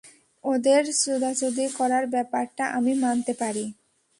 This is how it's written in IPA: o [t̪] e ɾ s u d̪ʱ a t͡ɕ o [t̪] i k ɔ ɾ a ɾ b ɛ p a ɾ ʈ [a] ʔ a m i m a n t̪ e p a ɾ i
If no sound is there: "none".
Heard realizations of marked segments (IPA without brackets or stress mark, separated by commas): d̪, d̪, a